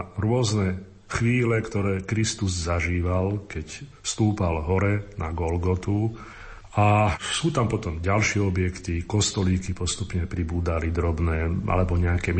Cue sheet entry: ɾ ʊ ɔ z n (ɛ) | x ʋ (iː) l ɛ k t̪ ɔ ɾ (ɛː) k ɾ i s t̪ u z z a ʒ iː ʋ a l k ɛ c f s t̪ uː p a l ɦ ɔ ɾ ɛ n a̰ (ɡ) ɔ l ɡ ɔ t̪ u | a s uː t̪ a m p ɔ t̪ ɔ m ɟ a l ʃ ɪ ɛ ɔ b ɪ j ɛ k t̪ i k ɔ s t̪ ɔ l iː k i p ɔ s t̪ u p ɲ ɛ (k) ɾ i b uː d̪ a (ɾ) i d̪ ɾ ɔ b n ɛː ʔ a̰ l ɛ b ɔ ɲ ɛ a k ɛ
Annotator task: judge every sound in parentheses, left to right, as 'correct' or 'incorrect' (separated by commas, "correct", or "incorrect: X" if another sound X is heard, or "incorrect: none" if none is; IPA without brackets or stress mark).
correct, correct, correct, correct, incorrect: p, incorrect: l